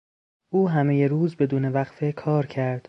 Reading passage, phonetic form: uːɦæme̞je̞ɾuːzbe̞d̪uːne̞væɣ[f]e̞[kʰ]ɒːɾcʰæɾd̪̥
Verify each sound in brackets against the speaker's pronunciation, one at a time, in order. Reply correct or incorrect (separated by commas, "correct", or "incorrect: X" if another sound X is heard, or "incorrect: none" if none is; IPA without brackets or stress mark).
correct, correct